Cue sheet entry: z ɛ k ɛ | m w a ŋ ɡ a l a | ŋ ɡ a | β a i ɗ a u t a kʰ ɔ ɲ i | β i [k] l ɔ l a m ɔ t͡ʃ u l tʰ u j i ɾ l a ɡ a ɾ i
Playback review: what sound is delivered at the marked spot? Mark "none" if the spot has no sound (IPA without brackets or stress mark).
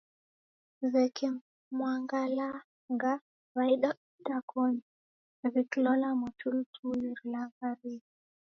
k